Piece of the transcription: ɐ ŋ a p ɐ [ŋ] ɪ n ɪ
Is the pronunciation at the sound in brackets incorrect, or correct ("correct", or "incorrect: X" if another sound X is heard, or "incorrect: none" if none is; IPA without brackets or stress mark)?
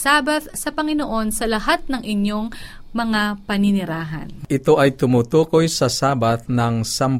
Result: incorrect: n